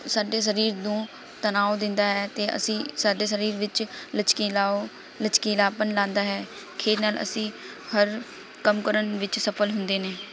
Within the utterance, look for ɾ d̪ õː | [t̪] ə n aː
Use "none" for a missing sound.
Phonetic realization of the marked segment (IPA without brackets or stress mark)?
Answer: t̪